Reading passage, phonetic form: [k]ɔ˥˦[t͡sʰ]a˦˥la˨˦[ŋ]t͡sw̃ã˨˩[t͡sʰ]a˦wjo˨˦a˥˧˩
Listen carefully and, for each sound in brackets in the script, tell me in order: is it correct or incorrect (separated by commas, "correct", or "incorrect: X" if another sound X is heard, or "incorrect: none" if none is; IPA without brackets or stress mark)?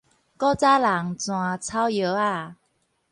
correct, incorrect: t͡s, correct, correct